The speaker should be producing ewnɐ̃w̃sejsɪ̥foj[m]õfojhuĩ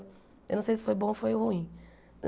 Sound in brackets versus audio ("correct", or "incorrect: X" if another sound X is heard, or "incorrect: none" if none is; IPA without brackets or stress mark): incorrect: b